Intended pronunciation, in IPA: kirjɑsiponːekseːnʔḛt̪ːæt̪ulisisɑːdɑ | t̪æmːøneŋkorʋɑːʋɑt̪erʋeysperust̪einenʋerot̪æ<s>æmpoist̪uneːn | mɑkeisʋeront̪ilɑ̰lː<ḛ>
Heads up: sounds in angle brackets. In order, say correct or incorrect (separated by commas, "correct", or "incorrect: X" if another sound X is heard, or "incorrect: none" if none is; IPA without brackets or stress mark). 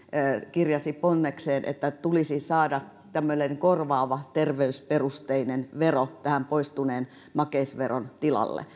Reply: incorrect: h, correct